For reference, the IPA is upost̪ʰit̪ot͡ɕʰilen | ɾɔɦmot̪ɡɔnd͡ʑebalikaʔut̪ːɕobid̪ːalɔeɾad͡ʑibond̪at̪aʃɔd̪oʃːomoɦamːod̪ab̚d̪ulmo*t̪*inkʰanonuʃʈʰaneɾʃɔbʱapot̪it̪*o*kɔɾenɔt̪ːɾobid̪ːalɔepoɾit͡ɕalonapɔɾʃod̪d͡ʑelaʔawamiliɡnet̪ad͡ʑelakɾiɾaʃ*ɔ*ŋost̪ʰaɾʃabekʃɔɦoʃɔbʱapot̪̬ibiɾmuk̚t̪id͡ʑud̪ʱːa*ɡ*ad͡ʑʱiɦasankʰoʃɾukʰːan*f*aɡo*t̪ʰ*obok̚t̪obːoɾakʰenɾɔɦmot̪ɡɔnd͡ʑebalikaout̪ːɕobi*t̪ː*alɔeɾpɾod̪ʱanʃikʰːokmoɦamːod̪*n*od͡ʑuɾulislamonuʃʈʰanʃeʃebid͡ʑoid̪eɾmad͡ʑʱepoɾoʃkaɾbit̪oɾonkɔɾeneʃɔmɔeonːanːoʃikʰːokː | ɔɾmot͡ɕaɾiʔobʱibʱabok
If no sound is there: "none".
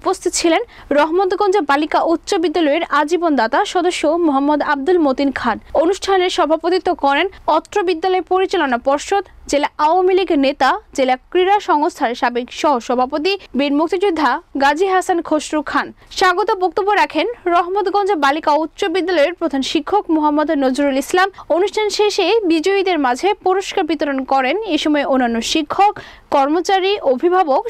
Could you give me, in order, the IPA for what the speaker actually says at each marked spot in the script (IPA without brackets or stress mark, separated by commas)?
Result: t̪, o, ɔ, ɡ, ʃ, t̪, d̪ː, n